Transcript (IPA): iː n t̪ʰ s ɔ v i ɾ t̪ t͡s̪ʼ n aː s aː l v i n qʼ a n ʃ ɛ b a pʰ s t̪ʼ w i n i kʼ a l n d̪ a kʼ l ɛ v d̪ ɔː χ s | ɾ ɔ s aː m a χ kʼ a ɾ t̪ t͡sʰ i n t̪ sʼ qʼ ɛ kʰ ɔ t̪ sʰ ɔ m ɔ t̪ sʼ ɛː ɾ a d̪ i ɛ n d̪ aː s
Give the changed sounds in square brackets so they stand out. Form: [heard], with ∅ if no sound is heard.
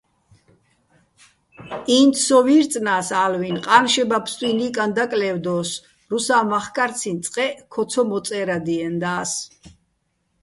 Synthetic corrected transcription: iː n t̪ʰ s ɔ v i ɾ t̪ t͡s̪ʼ n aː s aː l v i n qʼ a n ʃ ɛ b a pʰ s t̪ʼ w i n i kʼ a [∅] n d̪ a kʼ l ɛ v d̪ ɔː [∅] s | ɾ [u] s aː m a χ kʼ a ɾ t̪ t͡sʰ i n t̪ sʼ qʼ ɛ kʰ ɔ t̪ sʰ ɔ m ɔ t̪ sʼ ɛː ɾ a d̪ i ɛ n d̪ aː s